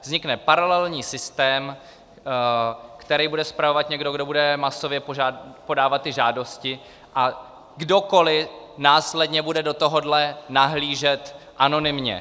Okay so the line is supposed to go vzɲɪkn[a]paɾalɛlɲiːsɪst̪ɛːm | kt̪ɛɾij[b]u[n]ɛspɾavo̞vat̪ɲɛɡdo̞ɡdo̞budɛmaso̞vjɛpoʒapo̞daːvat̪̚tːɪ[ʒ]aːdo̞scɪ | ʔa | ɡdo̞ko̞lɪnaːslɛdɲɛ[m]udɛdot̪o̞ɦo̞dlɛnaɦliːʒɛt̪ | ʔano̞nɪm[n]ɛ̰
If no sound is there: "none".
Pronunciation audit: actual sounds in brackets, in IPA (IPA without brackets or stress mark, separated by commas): ɛ, b, d, ʒ, b, ɲ